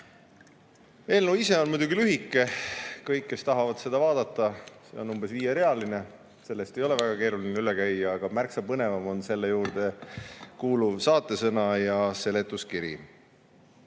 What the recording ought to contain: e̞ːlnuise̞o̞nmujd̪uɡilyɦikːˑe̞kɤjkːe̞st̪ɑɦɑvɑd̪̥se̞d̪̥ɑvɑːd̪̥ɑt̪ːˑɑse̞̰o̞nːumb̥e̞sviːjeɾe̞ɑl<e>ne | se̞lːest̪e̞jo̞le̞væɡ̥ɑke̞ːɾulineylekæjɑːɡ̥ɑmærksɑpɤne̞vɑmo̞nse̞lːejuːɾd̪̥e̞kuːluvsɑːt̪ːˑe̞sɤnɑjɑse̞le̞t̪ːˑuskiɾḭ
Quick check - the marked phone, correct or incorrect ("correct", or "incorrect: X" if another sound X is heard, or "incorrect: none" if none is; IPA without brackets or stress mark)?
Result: incorrect: i